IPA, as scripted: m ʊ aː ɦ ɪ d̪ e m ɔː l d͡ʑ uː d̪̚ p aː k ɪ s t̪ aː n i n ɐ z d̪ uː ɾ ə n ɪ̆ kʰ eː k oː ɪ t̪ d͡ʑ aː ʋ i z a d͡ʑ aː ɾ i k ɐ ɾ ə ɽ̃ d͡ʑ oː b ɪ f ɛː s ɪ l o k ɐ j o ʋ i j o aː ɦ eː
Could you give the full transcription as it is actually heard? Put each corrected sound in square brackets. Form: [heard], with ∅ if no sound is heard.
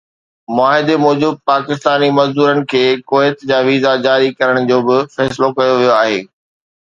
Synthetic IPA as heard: m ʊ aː ɦ ɪ d̪ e m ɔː [∅] d͡ʑ uː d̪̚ p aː k ɪ s t̪ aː n i [m] ɐ z d̪ uː ɾ ə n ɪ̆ kʰ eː k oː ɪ t̪ d͡ʑ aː ʋ [iː] z a d͡ʑ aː ɾ i k ɐ ɾ ə ɽ̃ d͡ʑ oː b ɪ f ɛː s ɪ l o k ɐ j o ʋ i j o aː ɦ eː